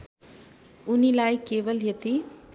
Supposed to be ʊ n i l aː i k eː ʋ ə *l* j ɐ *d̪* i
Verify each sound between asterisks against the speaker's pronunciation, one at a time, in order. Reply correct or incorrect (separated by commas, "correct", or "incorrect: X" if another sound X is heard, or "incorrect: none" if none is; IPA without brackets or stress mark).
correct, incorrect: t̪